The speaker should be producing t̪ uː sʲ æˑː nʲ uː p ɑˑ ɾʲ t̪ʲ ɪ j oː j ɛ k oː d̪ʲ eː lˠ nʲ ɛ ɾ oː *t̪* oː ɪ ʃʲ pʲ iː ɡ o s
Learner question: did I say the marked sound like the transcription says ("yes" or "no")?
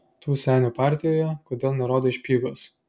no